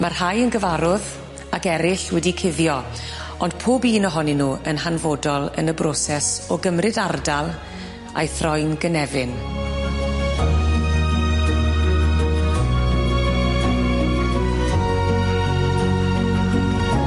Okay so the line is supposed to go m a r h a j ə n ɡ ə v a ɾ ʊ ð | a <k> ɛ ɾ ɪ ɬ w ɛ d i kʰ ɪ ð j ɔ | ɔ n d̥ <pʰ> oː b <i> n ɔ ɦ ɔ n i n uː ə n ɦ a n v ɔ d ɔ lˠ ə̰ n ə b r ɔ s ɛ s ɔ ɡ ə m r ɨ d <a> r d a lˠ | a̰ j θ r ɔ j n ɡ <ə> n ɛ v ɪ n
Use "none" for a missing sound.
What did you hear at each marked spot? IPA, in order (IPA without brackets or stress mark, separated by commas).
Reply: k, pʰ, iː, a, ə